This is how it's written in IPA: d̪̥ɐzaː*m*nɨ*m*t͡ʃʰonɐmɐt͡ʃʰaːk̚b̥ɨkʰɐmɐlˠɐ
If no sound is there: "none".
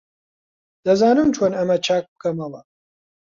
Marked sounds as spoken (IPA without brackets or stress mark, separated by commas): none, m